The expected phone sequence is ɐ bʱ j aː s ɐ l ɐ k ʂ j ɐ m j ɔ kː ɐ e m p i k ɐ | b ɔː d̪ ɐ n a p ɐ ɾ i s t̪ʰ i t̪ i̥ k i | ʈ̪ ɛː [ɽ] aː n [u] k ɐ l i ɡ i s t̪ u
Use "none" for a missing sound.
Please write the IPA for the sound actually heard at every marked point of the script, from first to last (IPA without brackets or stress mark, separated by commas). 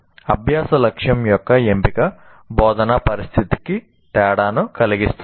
ɽ, u